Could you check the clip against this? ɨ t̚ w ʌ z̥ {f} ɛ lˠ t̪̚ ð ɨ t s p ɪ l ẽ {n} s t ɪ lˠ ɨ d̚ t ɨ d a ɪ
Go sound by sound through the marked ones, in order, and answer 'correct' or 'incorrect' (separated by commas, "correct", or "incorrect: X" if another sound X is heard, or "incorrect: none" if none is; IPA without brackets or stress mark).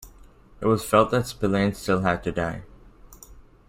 correct, correct